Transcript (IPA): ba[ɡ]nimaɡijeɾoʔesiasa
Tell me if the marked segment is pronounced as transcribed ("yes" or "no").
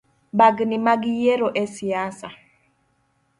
yes